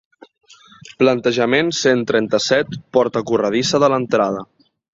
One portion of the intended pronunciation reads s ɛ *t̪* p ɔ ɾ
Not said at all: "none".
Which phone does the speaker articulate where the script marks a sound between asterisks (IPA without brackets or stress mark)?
t̪